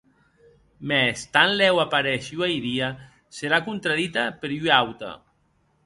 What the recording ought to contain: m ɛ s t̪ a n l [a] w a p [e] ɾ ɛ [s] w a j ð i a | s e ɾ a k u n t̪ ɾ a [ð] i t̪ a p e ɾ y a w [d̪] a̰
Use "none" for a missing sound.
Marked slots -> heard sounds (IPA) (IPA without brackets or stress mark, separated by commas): ɛ, a, ʃ, ð, t̪